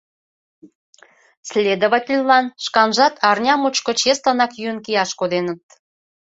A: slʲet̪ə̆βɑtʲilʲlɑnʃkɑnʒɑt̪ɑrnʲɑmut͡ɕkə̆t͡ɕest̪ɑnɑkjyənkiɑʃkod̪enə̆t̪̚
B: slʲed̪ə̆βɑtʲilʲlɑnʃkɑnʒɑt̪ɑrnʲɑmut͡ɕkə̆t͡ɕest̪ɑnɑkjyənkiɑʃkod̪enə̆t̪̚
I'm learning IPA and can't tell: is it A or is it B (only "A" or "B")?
B